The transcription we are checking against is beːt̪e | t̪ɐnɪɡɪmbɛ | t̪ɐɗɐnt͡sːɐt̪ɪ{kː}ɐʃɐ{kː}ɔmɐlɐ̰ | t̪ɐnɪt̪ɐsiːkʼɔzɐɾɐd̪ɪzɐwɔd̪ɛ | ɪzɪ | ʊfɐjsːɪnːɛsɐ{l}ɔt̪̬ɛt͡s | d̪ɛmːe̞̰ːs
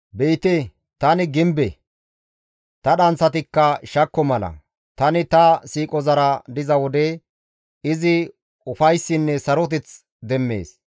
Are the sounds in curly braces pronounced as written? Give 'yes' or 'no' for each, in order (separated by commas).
yes, yes, no